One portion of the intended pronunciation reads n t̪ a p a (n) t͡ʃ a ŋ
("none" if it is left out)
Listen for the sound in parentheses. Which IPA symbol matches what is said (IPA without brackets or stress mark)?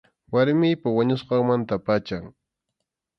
none